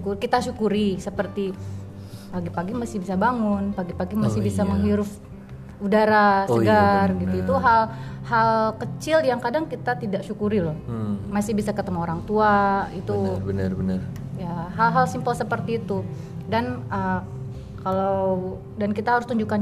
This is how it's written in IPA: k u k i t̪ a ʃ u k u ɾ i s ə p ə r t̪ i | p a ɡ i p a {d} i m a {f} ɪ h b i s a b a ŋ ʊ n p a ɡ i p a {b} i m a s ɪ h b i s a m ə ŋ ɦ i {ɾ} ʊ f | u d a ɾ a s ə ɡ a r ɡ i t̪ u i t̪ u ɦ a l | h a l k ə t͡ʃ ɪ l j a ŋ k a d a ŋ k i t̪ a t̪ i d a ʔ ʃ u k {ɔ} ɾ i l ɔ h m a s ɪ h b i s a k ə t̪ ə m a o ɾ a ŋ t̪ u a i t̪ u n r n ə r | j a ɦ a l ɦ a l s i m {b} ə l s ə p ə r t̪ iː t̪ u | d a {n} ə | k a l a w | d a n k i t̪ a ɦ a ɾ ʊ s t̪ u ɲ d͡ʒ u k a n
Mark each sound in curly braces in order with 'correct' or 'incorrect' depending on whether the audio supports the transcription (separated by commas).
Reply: incorrect, incorrect, incorrect, correct, incorrect, incorrect, correct